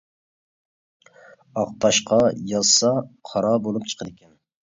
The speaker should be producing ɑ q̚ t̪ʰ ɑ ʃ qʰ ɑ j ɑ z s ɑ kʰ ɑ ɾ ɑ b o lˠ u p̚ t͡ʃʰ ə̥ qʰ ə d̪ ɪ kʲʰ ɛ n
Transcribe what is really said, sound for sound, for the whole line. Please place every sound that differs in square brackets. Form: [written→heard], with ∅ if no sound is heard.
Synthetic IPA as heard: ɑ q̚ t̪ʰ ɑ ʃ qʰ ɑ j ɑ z s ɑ [kʰ→qʰ] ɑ ɾ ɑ b o lˠ u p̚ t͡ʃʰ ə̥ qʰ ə d̪ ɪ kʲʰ ɛ n